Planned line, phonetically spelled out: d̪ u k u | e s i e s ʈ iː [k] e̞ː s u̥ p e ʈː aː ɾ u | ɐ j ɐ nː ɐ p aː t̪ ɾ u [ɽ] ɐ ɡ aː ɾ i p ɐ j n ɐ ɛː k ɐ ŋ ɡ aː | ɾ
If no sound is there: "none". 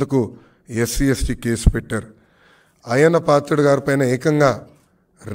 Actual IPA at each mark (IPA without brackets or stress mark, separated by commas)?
k, ɽ